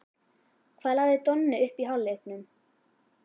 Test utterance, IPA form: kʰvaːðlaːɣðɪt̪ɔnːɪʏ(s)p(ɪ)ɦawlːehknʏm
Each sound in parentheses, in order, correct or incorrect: incorrect: h, incorrect: i

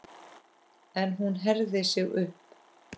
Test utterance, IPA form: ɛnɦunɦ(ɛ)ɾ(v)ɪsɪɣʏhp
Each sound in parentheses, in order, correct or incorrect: correct, incorrect: ð

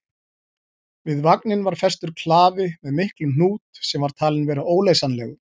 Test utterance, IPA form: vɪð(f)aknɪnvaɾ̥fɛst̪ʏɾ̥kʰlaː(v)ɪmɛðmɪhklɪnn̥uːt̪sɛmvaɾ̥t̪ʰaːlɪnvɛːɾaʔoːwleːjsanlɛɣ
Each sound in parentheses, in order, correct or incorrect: incorrect: v, correct

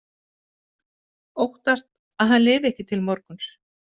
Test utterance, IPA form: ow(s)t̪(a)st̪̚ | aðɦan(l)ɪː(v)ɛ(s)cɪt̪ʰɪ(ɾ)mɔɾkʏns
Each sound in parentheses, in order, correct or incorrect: incorrect: h, correct, correct, correct, incorrect: h, incorrect: l

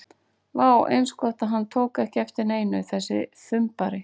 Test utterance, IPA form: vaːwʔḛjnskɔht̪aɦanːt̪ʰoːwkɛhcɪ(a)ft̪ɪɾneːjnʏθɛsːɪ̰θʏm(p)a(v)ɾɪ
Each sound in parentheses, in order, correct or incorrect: incorrect: ɛ, correct, incorrect: none

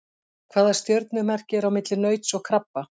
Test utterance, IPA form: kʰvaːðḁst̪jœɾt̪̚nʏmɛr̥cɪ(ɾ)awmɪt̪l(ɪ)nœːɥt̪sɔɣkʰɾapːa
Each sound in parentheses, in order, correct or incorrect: correct, correct

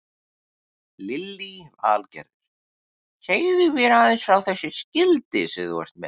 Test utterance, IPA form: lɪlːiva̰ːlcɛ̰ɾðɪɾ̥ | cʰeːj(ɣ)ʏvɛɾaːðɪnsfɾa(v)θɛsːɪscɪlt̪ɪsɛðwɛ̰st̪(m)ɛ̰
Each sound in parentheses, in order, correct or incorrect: incorrect: ð, incorrect: w, correct

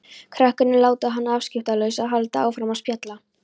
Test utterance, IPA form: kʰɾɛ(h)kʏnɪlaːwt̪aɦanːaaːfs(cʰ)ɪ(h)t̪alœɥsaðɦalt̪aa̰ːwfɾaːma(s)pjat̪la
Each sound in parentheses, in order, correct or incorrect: correct, incorrect: c, incorrect: f, correct

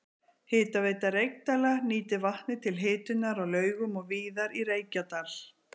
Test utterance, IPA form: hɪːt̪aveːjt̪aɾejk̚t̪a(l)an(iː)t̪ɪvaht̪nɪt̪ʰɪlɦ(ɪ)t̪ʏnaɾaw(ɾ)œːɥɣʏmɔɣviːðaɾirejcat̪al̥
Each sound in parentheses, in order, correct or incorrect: correct, correct, incorrect: ɪː, incorrect: l

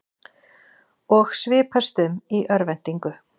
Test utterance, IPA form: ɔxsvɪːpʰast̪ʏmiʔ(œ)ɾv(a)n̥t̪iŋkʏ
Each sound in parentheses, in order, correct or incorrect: correct, incorrect: ɛ

